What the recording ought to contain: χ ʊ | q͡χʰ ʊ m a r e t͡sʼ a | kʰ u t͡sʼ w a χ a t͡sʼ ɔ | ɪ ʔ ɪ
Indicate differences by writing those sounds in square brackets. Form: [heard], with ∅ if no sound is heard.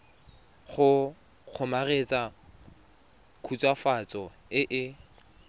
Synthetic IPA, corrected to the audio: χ ʊ | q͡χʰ ʊ m a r e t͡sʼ a | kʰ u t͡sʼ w a [f] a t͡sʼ ɔ | ɪ ʔ ɪ